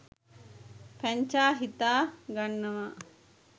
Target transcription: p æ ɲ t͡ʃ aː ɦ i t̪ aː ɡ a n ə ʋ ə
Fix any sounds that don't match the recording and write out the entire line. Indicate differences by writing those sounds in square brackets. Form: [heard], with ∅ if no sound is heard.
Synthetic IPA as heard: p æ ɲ t͡ʃ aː ɦ i t̪ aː ɡ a [nː] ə ʋ [a]